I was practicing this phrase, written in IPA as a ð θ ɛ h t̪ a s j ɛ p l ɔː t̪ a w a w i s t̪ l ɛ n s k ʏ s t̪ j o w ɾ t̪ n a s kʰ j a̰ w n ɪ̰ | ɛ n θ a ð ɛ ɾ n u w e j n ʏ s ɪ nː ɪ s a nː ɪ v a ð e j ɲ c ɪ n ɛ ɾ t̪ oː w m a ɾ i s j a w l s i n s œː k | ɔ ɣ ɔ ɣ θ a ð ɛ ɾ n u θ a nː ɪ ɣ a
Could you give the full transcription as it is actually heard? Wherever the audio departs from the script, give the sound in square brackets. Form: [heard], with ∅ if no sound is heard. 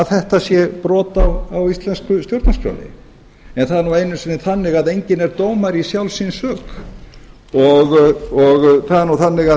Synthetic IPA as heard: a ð θ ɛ h t̪ a s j ɛ p [ɾ] ɔː t̪ a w a w i s t̪ l ɛ n s k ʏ s t̪ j o w ɾ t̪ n a s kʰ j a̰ w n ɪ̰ | ɛ n θ a ð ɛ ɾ n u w e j n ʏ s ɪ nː ɪ [θ] a nː ɪ [ɣ] a ð e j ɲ c ɪ n ɛ ɾ t̪ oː w m a ɾ i s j a w l s i n s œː k | ɔ ɣ ɔ ɣ θ a ð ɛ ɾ n u θ a nː ɪ ɣ a